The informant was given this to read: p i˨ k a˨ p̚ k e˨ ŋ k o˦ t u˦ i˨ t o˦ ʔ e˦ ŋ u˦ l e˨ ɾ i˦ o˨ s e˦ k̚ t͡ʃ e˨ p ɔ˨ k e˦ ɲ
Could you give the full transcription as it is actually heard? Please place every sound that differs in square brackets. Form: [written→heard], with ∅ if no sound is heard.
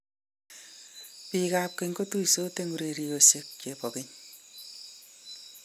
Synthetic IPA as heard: p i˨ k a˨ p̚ k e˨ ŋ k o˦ t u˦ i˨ [t→s] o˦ [ʔ→t] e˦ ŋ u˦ [l→ɾ] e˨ ɾ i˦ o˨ s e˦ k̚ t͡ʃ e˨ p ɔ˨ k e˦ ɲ